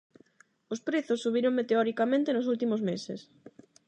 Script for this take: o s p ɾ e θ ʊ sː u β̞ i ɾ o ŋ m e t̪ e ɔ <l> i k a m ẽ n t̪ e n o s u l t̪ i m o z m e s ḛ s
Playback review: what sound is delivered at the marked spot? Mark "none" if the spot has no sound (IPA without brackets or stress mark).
ɾ